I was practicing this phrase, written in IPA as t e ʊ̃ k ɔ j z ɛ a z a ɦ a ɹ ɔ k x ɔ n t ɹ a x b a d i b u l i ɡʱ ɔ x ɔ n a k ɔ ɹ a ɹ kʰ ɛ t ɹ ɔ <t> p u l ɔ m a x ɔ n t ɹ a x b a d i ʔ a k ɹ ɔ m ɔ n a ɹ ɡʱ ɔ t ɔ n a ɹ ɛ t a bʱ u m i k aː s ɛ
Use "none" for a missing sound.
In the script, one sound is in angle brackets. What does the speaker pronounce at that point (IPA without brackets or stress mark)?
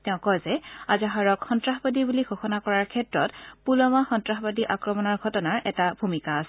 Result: t